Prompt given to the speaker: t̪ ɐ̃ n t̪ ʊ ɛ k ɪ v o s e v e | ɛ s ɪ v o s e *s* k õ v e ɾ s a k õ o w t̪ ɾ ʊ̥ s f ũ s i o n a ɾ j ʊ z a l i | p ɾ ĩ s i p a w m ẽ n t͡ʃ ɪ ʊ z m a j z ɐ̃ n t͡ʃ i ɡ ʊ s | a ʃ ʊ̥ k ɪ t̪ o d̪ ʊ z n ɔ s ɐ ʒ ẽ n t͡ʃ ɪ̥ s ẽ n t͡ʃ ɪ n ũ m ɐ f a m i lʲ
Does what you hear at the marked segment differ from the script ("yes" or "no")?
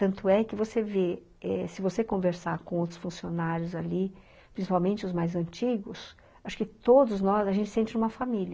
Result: yes